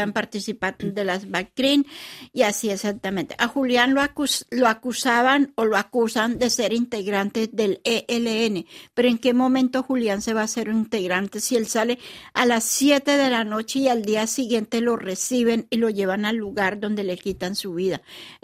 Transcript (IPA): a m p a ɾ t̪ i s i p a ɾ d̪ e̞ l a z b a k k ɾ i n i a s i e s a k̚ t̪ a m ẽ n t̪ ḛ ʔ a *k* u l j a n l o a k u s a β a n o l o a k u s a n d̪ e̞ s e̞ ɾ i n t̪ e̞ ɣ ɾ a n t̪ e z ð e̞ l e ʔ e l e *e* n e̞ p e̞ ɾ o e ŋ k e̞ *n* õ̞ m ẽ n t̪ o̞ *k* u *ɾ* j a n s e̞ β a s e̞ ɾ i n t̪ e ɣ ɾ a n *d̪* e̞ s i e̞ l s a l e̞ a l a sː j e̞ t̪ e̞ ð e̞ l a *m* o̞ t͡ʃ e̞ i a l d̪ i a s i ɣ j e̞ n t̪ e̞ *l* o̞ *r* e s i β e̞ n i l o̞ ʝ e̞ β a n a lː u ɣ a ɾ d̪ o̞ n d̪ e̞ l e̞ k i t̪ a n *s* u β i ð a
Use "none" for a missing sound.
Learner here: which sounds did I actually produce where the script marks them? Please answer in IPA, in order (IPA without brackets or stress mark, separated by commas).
x, e, m, x, l, t̪, n, l, r, s